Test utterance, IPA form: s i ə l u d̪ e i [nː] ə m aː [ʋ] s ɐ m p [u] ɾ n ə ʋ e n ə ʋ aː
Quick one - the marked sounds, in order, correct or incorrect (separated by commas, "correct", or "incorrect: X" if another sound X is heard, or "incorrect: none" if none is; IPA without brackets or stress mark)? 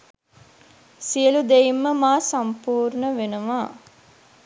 incorrect: mː, incorrect: none, incorrect: uː